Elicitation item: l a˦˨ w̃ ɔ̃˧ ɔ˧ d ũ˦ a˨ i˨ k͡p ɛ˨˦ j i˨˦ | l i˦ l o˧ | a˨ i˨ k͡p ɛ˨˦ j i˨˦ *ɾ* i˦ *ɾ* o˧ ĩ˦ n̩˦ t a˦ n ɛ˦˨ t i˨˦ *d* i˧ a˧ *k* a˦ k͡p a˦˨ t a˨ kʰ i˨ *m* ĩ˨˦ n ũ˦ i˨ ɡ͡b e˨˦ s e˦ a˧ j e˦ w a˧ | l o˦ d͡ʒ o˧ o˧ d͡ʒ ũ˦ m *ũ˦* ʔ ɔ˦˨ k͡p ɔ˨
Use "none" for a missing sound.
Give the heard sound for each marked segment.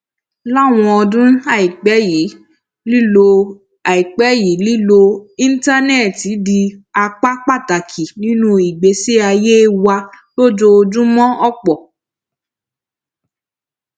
l, l, d, k͡p, n, ɔ̃˦

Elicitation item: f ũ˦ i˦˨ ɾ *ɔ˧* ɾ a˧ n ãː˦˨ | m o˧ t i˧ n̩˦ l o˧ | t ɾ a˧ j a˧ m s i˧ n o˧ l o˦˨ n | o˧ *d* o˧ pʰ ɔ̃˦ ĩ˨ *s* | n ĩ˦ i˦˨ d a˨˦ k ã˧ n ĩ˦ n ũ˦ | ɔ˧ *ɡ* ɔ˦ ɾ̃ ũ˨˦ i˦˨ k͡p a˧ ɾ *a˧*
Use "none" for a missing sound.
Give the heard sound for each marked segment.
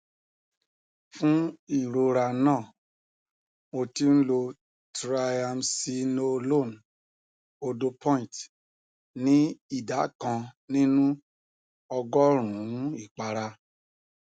o˧, d, t, ɡ, a˧

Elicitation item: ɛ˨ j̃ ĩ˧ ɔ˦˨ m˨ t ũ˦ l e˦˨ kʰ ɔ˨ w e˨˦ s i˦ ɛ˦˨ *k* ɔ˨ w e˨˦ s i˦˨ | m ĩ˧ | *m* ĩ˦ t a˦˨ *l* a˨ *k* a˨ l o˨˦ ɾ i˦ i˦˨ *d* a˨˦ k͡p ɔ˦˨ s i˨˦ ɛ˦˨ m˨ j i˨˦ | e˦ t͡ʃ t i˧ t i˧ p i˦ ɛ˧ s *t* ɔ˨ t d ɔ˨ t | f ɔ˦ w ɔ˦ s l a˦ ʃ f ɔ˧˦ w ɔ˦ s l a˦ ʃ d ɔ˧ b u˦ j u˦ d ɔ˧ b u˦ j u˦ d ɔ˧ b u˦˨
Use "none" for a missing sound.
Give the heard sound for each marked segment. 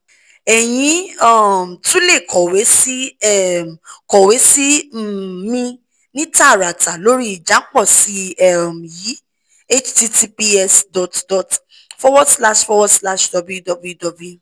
k, n, ɾ, t, d͡ʒ, d

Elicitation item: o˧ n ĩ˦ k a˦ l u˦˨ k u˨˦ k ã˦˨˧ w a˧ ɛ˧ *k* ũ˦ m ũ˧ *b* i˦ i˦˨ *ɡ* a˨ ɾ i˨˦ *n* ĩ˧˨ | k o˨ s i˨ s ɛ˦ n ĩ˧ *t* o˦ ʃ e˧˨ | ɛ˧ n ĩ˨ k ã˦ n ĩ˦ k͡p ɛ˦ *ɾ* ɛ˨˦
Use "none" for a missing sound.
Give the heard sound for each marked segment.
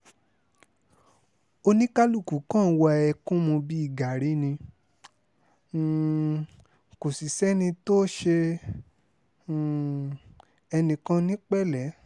k, b, ɡ, n, t, l

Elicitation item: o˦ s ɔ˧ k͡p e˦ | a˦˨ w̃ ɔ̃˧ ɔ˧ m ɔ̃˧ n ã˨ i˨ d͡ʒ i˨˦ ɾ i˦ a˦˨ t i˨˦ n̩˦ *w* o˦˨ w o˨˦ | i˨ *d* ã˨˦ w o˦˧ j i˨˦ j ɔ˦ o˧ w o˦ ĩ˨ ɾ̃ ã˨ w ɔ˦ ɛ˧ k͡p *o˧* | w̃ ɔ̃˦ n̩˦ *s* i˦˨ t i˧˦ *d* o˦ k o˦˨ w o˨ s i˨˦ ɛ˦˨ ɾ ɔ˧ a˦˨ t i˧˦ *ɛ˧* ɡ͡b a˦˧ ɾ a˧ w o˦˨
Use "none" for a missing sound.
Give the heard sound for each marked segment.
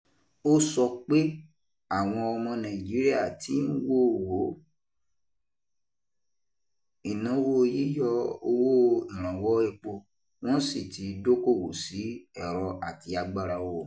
w, n, o˧, s, d, a˧

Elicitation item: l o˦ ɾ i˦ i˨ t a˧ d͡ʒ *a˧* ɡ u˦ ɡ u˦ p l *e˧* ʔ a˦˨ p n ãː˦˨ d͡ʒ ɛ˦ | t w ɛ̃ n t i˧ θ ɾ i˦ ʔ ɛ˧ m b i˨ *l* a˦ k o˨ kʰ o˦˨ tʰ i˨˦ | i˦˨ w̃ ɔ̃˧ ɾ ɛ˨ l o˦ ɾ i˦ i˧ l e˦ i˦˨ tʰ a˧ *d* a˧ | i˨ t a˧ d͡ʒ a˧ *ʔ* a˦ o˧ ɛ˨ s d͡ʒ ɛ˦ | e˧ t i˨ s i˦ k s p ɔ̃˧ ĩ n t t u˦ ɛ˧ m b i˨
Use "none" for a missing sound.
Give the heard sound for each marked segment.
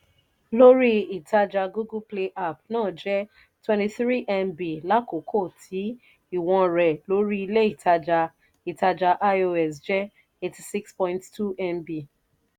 a˧, e˧, l, d͡ʒ, ʔ

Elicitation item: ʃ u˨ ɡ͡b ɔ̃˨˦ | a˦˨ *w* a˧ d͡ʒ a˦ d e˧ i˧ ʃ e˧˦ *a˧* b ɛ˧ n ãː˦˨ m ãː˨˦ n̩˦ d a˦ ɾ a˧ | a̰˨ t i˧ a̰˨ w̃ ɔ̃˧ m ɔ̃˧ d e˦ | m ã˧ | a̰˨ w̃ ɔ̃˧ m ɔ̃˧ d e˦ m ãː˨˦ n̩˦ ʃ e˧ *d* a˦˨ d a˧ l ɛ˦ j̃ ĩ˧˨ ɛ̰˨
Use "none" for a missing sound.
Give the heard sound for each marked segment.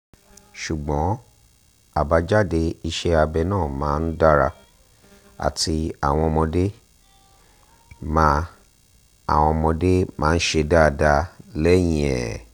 b, a˧, d

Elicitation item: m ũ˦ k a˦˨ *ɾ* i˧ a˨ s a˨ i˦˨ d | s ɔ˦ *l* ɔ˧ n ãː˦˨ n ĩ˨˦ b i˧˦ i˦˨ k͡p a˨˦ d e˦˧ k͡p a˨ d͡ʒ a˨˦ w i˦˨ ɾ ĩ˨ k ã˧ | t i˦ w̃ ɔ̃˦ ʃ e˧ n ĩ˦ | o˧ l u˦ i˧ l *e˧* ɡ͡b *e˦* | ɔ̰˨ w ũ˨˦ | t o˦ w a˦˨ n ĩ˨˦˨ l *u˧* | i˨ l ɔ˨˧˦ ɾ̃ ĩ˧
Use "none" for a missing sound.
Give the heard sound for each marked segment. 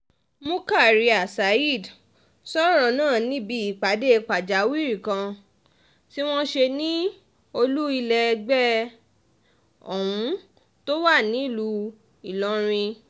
ɾ, ɾ, ɛ˧, ɛ˦, u˧

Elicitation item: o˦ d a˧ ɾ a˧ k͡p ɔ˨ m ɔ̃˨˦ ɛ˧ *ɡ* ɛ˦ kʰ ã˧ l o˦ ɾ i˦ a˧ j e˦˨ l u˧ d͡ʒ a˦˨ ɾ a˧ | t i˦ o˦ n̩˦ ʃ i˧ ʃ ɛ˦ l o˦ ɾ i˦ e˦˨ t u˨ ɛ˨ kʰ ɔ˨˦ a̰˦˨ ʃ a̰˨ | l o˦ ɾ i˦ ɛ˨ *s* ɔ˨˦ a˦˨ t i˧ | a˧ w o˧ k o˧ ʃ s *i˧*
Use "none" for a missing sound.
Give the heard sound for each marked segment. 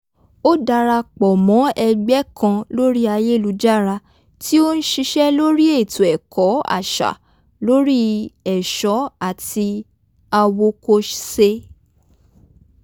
ɡ͡b, ʃ, e˧

